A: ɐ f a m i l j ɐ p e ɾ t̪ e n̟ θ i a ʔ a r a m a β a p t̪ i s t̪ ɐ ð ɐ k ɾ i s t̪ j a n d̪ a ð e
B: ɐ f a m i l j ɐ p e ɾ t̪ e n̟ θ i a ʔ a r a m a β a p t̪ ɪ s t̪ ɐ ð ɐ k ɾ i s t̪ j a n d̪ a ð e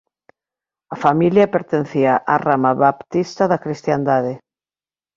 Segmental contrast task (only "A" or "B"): A